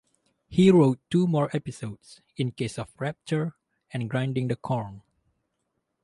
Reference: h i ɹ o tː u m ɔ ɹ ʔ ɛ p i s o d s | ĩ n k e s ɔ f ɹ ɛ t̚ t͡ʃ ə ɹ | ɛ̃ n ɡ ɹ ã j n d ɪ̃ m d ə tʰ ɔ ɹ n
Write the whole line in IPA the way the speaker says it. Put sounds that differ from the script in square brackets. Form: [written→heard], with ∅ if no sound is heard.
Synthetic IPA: h i ɹ o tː u m ɔ ɹ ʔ ɛ p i s o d s | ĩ n k e s ɔ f ɹ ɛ [t̚→p̚] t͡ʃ ə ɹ | ɛ̃ n ɡ ɹ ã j n d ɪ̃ [m→ŋ] d ə [tʰ→kʰ] ɔ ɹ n

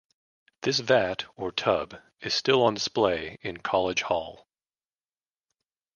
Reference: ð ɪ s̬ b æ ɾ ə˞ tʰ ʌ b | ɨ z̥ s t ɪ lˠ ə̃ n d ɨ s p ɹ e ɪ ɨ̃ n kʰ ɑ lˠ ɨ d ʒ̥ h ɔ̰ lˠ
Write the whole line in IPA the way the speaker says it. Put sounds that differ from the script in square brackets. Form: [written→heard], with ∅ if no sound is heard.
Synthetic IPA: ð ɪ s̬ [b→v] æ ɾ ə˞ tʰ ʌ b | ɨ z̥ s t ɪ lˠ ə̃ n d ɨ s p [ɹ→l] e ɪ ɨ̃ n kʰ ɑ lˠ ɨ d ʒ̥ h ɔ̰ lˠ

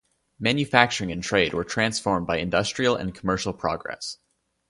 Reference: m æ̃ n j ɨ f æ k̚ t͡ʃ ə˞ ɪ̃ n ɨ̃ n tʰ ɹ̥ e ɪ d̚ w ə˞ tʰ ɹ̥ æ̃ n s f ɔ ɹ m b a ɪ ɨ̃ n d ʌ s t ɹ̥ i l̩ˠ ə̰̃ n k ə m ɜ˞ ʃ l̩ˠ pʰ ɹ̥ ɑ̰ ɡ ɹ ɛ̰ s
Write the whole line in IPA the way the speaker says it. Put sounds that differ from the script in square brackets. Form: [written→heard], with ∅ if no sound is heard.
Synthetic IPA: m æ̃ n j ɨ f æ k̚ t͡ʃ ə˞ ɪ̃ [n→ŋ] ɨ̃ n tʰ ɹ̥ e ɪ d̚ w ə˞ tʰ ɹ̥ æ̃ n s f ɔ ɹ m b a ɪ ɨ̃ n d ʌ s t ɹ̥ i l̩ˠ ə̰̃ n [k→kʰ] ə m ɜ˞ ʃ l̩ˠ pʰ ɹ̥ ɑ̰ ɡ ɹ ɛ̰ s

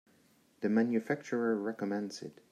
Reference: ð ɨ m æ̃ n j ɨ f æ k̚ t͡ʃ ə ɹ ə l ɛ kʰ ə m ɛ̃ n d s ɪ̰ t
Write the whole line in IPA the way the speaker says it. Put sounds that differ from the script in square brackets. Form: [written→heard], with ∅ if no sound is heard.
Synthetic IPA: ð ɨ m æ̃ n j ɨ f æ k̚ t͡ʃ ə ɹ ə [l→ɹ] ɛ [kʰ→k] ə m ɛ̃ n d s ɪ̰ t

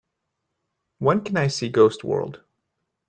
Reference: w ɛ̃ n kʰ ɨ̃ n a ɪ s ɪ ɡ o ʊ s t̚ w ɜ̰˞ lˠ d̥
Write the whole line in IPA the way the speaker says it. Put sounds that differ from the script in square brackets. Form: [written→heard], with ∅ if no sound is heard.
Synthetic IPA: w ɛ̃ n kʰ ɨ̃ n a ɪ s [ɪ→i] ɡ o ʊ s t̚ w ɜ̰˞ lˠ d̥

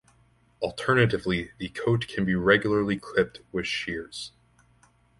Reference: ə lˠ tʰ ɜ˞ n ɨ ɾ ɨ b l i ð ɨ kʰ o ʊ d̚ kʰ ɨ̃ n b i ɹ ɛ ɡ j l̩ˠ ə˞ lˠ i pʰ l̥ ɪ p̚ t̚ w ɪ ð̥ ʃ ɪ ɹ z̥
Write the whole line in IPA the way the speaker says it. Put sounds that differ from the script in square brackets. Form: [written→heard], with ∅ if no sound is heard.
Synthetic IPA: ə lˠ tʰ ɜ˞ n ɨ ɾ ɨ [b→v] l i ð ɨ kʰ o ʊ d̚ kʰ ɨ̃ n b i ɹ ɛ ɡ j l̩ˠ ə˞ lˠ i [pʰ→kʰ] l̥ ɪ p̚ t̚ w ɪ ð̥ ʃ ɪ ɹ z̥

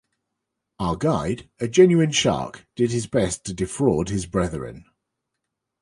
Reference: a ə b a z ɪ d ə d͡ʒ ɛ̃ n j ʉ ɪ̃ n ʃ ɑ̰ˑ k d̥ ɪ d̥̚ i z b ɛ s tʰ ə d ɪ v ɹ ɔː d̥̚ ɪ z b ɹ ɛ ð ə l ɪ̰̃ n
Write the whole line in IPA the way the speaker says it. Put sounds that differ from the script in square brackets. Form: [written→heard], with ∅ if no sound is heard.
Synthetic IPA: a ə [b→ɡ] a [z→∅] ɪ d ə d͡ʒ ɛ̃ n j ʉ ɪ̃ n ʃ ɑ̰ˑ k d̥ ɪ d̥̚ [i→ɪ] z b ɛ s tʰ ə d ɪ [v→f] ɹ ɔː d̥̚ ɪ z b ɹ ɛ ð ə [l→ɹ] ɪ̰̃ n

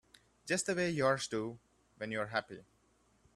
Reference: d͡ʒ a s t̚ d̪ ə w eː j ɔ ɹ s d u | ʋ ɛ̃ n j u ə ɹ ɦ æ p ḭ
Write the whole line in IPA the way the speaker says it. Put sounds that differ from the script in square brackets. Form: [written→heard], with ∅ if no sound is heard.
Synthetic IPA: d͡ʒ [a→ʌ] s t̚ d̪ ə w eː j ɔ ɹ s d u | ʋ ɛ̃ n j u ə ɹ ɦ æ p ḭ

